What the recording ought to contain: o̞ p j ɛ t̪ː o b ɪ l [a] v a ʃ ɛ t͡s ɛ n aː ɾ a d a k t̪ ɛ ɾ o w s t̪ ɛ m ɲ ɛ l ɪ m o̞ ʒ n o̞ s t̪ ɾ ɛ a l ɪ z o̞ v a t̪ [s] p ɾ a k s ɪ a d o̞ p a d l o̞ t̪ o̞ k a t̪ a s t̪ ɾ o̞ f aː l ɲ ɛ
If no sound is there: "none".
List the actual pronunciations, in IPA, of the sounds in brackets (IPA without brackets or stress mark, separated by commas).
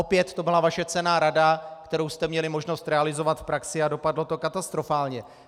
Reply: a, f